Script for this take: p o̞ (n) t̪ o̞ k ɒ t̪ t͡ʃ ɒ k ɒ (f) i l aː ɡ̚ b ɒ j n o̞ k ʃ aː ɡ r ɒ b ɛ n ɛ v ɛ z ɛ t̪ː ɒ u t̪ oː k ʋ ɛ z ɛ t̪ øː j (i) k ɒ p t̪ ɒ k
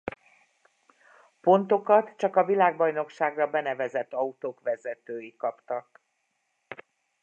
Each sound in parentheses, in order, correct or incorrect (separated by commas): correct, incorrect, correct